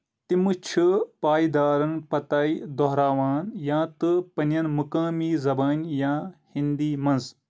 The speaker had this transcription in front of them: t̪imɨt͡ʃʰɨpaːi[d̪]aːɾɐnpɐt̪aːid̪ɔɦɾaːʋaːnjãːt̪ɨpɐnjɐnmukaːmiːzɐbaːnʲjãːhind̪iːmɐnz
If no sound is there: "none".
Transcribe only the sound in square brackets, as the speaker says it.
d̪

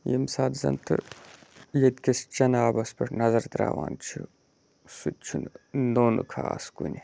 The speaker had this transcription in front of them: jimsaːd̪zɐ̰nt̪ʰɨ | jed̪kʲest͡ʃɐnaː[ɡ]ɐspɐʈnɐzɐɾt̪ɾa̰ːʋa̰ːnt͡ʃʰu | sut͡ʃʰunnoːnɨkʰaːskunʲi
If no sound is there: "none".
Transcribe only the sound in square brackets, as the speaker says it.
b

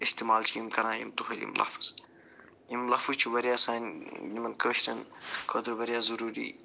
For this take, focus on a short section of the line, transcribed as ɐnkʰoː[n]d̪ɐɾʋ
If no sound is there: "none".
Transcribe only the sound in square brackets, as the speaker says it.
none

